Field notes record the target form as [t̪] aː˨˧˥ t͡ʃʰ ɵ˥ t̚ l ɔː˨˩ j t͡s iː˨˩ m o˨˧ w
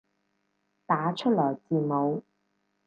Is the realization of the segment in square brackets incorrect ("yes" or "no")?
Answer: no